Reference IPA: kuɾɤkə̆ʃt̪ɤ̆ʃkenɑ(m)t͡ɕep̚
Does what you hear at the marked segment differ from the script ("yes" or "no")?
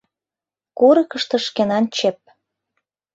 yes